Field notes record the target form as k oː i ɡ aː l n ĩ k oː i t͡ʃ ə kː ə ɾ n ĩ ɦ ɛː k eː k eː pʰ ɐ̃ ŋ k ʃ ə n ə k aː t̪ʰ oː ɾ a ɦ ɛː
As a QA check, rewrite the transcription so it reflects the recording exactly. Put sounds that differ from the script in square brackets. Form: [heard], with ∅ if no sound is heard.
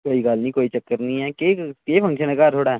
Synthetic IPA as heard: k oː i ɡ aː l n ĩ k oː i t͡ʃ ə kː ə ɾ n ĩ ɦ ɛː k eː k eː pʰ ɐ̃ ŋ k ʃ ə n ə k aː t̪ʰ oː [ɽ] a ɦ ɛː